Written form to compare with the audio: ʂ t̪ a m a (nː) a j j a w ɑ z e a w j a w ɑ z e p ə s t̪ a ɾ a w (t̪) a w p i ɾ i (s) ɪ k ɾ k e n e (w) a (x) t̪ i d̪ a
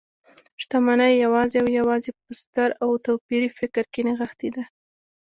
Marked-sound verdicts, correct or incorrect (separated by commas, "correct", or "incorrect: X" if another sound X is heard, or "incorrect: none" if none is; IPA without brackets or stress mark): incorrect: n, correct, incorrect: f, incorrect: ɣ, correct